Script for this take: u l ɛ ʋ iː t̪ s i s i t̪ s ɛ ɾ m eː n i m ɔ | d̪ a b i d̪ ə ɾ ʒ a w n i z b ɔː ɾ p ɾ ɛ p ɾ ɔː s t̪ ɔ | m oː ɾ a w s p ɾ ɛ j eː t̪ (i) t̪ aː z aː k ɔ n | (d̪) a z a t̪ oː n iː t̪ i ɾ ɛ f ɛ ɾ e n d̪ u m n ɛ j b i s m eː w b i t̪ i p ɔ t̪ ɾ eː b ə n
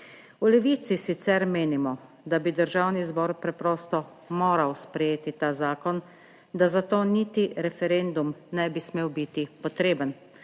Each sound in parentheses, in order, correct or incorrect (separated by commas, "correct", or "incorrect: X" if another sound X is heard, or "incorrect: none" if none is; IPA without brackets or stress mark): correct, correct